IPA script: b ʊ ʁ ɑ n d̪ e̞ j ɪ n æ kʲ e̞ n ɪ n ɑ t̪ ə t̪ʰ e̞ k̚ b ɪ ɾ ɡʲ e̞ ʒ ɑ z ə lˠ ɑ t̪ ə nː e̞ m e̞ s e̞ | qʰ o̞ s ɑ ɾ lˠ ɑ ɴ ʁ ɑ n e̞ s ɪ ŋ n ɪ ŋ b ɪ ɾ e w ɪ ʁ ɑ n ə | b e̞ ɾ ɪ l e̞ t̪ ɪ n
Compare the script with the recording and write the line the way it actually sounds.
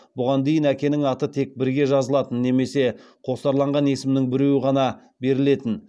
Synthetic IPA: b ʊ ʁ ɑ n d̪ e̞ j ɪ n æ kʲ e̞ n ɪ ŋ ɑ t̪ ə t̪ʰ e̞ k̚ b ɪ ɾ ɡʲ e̞ ʒ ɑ z ə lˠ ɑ t̪ ə nː e̞ m e̞ s e̞ | qʰ o̞ s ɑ ɾ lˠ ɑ ɴ ʁ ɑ n e̞ s ɪ m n ɪ ŋ b ɪ ɾ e w ɪ ʁ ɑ n ɑ | b e̞ ɾ ɪ l e̞ t̪ ɪ n